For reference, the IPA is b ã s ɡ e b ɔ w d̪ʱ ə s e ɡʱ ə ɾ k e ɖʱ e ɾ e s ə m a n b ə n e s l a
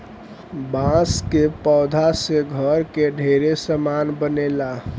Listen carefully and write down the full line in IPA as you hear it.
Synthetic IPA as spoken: b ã s k e p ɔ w d̪ʱ a s e ɡʱ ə ɾ k e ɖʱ e ɾ e s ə m a n b ə n e l a